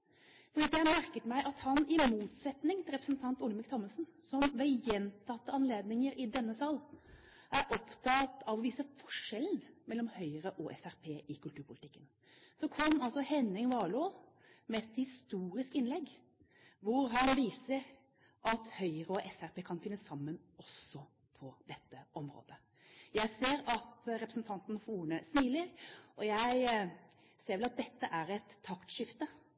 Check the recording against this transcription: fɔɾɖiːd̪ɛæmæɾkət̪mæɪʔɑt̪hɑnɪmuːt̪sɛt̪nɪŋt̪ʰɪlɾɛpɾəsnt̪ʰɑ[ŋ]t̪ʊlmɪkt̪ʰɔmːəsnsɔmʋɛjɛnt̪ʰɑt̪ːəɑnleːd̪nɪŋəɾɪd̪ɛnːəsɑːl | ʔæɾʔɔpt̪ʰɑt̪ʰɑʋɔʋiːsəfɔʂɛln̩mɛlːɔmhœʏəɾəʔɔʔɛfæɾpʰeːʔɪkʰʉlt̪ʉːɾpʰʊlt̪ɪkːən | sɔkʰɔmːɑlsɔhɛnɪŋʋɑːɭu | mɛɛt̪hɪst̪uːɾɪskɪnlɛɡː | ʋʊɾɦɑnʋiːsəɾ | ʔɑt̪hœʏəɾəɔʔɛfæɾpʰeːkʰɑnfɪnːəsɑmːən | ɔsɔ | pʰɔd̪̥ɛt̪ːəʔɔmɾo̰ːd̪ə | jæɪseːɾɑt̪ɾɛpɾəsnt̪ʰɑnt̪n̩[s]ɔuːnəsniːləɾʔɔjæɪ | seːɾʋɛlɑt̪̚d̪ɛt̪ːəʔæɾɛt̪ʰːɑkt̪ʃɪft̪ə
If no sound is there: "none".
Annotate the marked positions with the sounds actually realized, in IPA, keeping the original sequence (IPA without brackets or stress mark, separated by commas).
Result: n, f